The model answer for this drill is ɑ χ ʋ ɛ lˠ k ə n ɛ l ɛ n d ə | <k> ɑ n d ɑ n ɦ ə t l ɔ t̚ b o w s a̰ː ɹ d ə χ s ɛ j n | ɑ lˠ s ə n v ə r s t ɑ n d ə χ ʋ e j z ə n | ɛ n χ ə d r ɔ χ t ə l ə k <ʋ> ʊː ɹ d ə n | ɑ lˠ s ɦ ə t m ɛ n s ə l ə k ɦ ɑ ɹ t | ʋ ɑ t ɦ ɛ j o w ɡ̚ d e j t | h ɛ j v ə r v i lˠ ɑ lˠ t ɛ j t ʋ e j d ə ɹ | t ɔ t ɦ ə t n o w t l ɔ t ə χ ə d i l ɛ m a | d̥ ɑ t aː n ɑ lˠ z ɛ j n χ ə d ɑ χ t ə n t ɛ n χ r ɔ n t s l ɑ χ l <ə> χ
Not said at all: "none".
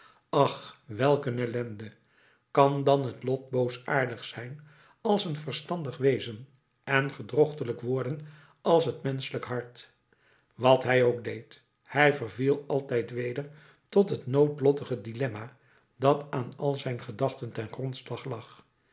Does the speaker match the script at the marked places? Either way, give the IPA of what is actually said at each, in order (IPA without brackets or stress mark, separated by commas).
k, ʋ, ɑ